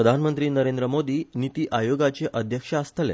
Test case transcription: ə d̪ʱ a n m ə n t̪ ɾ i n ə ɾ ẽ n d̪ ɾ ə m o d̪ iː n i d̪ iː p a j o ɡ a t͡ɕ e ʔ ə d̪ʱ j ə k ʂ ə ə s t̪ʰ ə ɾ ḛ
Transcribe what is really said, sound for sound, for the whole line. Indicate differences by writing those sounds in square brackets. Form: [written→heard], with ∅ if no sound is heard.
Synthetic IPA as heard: ə d̪ʱ a n m ə n t̪ ɾ [i→iː] n ə ɾ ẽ n d̪ ɾ ə m o d̪ iː n i [d̪→t̪] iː [p→ʔ] a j o ɡ a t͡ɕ e ʔ ə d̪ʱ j ə k ʂ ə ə s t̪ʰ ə [ɾ→l] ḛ